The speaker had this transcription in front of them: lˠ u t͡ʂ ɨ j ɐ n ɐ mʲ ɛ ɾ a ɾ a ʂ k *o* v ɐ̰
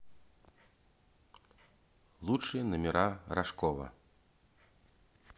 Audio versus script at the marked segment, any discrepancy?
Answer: yes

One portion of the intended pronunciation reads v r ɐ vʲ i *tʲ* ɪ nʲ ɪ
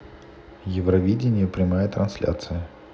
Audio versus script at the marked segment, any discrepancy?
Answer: yes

